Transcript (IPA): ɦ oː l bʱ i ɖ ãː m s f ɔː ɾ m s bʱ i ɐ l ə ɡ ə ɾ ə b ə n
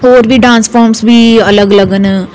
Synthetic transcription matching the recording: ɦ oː ɾ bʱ i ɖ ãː n s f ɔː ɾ m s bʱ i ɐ l ə ɡ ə l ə ɡ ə n